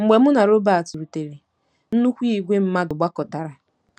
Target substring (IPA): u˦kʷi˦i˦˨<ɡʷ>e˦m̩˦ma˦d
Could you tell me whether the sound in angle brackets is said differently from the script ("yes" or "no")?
no